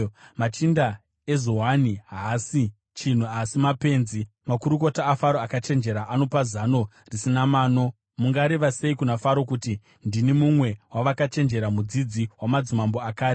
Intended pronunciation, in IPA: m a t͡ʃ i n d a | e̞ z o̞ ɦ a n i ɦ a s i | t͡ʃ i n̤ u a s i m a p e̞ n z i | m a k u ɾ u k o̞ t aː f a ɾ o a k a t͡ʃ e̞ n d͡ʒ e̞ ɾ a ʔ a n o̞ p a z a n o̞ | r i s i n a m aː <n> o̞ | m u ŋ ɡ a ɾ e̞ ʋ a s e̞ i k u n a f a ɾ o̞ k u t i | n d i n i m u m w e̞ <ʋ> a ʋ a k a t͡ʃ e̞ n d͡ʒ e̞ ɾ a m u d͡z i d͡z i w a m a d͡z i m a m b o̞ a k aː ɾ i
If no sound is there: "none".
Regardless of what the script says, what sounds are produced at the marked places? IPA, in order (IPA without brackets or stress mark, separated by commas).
n, w